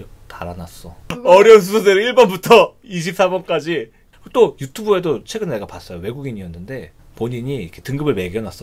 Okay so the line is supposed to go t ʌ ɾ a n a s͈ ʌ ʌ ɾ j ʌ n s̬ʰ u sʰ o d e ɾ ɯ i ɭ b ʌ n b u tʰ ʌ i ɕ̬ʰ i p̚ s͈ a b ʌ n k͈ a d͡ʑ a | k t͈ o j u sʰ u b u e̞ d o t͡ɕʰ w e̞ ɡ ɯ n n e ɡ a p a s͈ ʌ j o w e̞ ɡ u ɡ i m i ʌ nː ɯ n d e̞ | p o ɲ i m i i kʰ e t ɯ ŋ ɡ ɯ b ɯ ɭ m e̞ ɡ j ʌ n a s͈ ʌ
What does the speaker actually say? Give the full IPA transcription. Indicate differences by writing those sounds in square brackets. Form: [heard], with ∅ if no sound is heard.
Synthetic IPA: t [a] ɾ a n a s͈ ʌ ʌ ɾ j ʌ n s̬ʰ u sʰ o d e ɾ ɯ i ɭ b ʌ n b u tʰ ʌ i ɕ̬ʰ i p̚ s͈ a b ʌ n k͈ a d͡ʑ [i] | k t͈ o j u [tʰ] u b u e̞ d o t͡ɕʰ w e̞ ɡ ɯ n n e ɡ a p a s͈ ʌ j o w e̞ ɡ u ɡ i [ɲ] i ʌ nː ɯ n d e̞ | p o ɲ i [ɲ] i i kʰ e t ɯ ŋ ɡ ɯ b ɯ ɭ m e̞ ɡ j ʌ n a s͈ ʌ

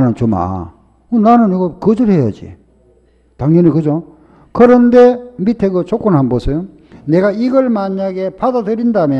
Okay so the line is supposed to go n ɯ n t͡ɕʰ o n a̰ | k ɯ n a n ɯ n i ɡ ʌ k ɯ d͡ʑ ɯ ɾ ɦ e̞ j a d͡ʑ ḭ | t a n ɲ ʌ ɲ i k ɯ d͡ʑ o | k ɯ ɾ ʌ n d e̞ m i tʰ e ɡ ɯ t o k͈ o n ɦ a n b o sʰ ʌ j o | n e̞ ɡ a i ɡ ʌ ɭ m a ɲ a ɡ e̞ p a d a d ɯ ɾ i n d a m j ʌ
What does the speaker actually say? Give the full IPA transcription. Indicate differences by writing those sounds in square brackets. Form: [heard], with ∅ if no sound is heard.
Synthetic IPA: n ɯ n [t͡ɕ] o [m] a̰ | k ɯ n a n ɯ n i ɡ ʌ k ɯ d͡ʑ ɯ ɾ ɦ e̞ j a d͡ʑ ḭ | t a [ŋ] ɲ ʌ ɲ i k ɯ d͡ʑ o | k ɯ ɾ ʌ n d e̞ m i tʰ e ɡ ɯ [t͡ɕ] o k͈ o n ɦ a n b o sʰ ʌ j o | n e̞ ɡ a i ɡ ʌ ɭ m a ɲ a ɡ e̞ p a d a d ɯ ɾ i n d a m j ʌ

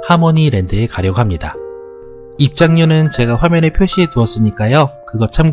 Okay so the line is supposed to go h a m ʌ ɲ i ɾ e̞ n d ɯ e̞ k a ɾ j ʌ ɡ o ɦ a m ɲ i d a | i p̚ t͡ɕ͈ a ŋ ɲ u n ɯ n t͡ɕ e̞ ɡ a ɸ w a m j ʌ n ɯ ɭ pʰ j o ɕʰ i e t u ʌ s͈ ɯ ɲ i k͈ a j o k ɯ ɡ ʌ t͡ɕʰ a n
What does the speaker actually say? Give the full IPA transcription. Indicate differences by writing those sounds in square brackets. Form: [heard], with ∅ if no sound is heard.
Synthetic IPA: h a m ʌ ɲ i ɾ e̞ n d ɯ e̞ k a ɾ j ʌ ɡ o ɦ a m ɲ i d a | i p̚ t͡ɕ͈ a ŋ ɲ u n ɯ n t͡ɕ e̞ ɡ a ɸ w a m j ʌ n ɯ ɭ pʰ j o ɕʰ i e t u ʌ s͈ ɯ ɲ i k͈ a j o k ɯ ɡ ʌ t͡ɕʰ a [m]

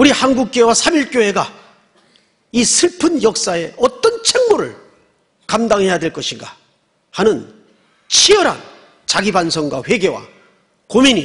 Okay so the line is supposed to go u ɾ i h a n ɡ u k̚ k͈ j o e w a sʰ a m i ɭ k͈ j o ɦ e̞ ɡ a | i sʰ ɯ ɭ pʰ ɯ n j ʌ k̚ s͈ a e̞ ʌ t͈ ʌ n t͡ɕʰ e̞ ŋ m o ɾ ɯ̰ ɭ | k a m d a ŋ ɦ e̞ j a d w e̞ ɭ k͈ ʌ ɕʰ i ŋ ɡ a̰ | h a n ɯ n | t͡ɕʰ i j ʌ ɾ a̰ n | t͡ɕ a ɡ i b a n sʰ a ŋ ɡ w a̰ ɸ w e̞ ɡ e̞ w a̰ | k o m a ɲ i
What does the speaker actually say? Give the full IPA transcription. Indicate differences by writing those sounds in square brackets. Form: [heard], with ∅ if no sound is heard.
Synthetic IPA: u ɾ i h a n ɡ u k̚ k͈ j o e w a sʰ a m i ɭ k͈ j o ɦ e̞ ɡ a | i sʰ ɯ ɭ pʰ ɯ n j ʌ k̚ s͈ a e̞ ʌ t͈ ʌ n t͡ɕʰ e̞ ŋ m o ɾ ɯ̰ ɭ | k a m d a ŋ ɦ e̞ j a d w e̞ ɭ k͈ ʌ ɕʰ i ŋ ɡ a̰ | h a n ɯ n | t͡ɕʰ i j ʌ ɾ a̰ n | t͡ɕ a ɡ i b a n sʰ [ʌ] ŋ ɡ w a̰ ɸ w e̞ ɡ e̞ w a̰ | k o m [i] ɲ i

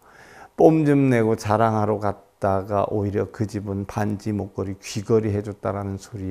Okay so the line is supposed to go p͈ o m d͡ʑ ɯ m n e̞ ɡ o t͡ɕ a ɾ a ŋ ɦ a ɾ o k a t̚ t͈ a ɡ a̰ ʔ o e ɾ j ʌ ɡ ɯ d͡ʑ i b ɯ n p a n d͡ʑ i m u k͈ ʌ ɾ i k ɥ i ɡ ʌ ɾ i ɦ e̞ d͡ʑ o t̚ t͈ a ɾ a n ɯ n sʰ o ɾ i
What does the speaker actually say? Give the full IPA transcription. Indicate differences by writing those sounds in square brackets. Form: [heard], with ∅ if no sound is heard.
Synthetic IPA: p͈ o m d͡ʑ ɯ m n e̞ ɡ o t͡ɕ a ɾ a ŋ ɦ a ɾ o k a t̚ t͈ a ɡ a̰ ʔ o [i] ɾ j ʌ [k] ɯ d͡ʑ i b ɯ n p a n d͡ʑ i m [o] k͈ ʌ ɾ i k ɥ i ɡ ʌ ɾ i ɦ e̞ d͡ʑ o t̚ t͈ a ɾ a n ɯ n sʰ o ɾ i

